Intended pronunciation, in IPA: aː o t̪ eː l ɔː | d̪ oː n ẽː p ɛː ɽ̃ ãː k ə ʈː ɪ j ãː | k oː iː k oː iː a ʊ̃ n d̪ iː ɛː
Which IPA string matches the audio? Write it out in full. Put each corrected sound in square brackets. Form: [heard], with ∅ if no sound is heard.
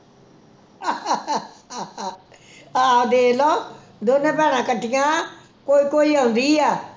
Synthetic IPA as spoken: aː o [d̪] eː l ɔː | d̪ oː n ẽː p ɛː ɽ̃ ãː k ə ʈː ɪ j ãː | k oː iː k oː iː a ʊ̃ n d̪ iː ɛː